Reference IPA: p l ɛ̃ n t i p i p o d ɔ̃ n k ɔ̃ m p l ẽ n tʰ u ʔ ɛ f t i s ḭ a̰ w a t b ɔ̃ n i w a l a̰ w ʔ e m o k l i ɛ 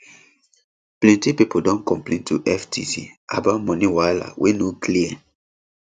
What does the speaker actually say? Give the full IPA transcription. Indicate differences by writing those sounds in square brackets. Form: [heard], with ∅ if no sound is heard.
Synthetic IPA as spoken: p l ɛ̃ n t i p i p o d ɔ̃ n k ɔ̃ m p l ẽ n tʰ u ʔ ɛ f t i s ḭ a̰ [b] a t [m] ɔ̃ n i w a l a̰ w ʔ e [n] o k l i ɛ